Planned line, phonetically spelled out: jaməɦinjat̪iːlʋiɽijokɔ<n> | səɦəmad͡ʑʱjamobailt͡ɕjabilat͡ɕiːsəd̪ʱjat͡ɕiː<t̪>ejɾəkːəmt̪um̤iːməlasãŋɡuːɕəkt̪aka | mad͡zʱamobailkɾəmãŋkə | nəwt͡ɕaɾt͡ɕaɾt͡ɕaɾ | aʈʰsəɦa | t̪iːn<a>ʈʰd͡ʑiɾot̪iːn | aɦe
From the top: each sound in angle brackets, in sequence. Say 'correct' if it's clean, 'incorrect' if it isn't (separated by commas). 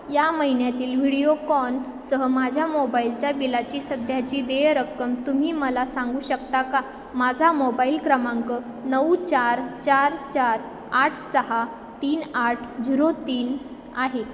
correct, incorrect, correct